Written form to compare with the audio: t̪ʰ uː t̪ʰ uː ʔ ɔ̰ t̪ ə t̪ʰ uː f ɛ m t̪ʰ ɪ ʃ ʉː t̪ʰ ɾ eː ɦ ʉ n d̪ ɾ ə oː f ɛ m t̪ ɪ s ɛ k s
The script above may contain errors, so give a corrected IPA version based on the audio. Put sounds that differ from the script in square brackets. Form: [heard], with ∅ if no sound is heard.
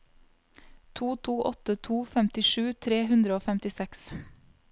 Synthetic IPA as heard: t̪ʰ uː t̪ʰ uː ʔ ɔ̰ t̪ ə t̪ʰ uː f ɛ m [t̪] ɪ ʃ ʉː t̪ʰ ɾ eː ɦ ʉ n d̪ ɾ ə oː f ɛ m t̪ ɪ s ɛ k s